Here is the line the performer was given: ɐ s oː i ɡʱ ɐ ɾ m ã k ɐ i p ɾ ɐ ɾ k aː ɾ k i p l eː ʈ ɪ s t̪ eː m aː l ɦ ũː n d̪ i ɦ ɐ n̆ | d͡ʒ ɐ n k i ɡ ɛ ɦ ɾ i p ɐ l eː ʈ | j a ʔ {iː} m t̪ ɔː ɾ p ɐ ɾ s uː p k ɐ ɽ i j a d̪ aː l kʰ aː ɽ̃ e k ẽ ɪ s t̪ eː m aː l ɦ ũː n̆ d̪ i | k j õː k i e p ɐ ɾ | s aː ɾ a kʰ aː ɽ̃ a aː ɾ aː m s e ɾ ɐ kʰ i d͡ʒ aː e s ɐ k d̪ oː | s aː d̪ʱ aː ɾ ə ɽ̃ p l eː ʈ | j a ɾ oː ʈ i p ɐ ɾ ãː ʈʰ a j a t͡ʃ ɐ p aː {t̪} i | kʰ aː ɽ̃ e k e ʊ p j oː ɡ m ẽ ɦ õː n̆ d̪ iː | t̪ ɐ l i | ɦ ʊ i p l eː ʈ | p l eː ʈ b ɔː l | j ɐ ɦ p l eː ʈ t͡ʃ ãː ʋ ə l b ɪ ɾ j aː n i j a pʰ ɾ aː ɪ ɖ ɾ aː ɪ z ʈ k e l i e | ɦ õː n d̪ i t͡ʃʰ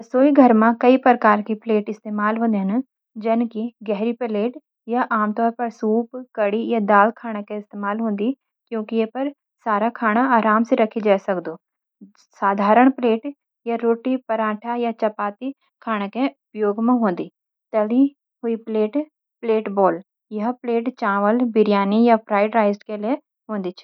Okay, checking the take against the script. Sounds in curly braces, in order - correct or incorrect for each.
incorrect, correct

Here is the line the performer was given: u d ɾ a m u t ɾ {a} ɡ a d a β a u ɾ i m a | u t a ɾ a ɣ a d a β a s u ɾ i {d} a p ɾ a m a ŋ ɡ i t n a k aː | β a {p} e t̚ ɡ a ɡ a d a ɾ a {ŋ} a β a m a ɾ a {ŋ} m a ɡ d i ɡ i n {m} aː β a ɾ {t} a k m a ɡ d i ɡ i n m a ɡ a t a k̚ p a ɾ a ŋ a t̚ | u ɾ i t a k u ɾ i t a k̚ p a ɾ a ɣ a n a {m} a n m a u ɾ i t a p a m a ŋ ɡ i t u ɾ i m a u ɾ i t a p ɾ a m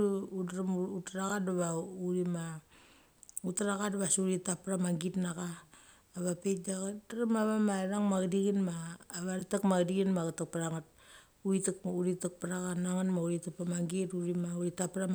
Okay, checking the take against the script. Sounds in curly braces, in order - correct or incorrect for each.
correct, incorrect, correct, incorrect, correct, correct, correct, incorrect

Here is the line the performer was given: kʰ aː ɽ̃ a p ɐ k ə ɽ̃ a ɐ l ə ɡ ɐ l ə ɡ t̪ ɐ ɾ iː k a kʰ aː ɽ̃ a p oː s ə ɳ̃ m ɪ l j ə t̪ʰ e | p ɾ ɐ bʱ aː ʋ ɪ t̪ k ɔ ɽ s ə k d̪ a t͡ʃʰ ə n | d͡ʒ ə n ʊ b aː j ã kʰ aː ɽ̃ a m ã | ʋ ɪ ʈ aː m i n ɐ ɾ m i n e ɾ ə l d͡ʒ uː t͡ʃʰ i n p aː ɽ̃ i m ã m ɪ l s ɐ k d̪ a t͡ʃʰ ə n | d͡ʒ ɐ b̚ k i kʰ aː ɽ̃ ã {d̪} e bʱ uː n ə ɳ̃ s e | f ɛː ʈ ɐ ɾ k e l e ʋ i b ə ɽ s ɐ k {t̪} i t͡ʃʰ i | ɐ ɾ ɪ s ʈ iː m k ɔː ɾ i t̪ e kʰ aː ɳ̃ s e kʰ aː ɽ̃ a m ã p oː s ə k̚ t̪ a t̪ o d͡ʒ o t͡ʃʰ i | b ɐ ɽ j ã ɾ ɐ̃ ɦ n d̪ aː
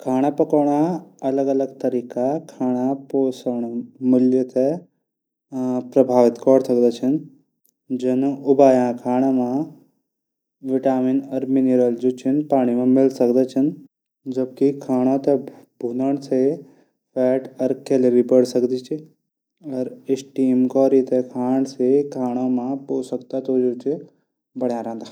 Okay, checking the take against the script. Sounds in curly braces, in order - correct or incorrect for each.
incorrect, incorrect

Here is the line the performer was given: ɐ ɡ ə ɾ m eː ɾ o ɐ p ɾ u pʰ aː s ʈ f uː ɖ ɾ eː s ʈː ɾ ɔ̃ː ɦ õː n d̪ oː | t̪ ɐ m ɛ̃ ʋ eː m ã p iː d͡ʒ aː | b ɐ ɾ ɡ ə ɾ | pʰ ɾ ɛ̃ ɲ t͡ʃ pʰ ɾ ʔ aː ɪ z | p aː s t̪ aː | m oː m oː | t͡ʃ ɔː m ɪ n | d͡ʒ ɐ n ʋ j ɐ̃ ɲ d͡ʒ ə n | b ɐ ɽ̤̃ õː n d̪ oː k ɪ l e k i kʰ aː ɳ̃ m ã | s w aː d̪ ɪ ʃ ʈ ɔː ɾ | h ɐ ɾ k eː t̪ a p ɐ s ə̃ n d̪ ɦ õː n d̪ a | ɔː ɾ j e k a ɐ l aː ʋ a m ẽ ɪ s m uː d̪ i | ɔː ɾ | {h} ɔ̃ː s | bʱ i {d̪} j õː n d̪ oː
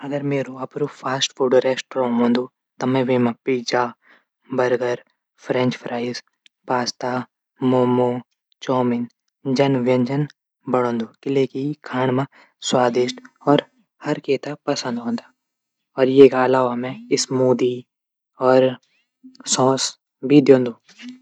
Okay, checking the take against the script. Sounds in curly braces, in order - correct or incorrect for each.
incorrect, correct

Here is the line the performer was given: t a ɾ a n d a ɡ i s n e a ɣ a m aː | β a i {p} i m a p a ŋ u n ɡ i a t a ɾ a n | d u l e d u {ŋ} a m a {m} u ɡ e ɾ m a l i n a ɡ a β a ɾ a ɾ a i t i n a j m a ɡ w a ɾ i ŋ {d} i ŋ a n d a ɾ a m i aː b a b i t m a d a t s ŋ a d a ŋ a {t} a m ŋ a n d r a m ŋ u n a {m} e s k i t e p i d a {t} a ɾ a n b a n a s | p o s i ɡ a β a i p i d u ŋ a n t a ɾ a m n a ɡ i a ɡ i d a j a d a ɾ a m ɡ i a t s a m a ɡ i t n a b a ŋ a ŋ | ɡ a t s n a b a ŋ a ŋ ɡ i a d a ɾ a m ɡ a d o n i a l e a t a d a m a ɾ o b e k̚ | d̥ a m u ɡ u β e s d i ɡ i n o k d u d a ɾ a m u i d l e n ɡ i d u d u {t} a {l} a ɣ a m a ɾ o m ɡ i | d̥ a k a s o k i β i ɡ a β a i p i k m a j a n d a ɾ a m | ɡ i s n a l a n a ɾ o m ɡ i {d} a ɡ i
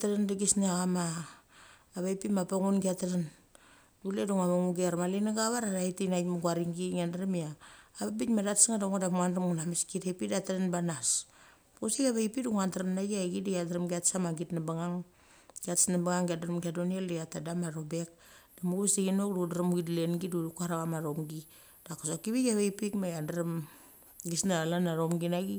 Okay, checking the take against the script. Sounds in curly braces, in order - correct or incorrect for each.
correct, correct, incorrect, incorrect, incorrect, correct, correct, incorrect, incorrect, incorrect

